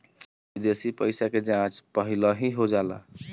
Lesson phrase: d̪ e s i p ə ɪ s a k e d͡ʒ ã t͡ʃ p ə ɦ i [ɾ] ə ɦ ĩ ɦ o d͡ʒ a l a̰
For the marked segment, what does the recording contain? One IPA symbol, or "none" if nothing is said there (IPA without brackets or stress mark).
l